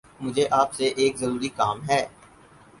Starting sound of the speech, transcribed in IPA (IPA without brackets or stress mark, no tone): m